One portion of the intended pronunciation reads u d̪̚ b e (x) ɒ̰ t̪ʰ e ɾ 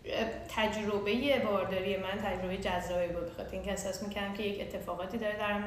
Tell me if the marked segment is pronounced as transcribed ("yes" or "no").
yes